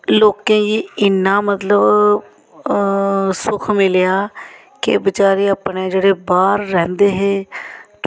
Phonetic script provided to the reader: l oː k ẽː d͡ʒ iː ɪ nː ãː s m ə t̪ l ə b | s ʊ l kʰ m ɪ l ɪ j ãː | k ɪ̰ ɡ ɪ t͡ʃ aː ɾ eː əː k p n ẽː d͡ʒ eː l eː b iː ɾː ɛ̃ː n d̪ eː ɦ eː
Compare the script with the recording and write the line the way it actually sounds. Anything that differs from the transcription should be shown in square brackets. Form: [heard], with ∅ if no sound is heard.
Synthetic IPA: l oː k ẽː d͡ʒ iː ɪ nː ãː [∅] m ə t̪ l ə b | s ʊ [∅] kʰ m ɪ l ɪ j [aː] | k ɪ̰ [b] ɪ t͡ʃ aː ɾ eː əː [∅] p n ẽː d͡ʒ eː [ɽ] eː b [aː] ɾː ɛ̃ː n d̪ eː ɦ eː